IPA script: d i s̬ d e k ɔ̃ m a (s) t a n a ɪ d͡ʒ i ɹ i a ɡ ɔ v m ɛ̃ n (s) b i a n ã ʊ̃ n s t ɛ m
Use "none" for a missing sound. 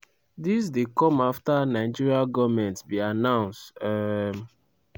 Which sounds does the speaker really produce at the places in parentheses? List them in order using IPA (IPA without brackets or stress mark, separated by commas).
f, t